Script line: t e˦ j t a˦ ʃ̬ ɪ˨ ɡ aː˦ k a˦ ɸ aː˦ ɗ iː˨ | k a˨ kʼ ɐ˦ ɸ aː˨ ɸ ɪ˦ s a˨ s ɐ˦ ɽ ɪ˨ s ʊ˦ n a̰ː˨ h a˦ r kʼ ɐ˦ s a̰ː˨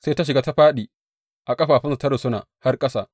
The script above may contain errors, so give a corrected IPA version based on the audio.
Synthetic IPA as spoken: s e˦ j t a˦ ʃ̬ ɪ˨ ɡ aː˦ t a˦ ɸ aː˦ ɗ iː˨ | ʔ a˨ kʼ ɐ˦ ɸ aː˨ ɸ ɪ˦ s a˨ t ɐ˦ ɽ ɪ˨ s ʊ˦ n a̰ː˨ h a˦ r kʼ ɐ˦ s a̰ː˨